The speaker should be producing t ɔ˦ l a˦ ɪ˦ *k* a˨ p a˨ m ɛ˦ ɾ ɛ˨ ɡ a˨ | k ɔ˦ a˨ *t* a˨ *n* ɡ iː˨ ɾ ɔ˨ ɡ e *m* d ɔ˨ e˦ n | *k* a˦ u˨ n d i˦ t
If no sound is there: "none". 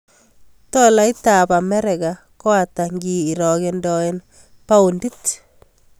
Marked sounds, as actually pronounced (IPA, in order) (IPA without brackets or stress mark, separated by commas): t, t, ŋ, n, p